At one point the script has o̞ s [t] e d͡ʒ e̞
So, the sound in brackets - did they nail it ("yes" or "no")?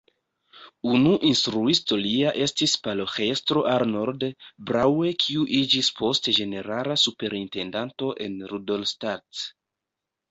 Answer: yes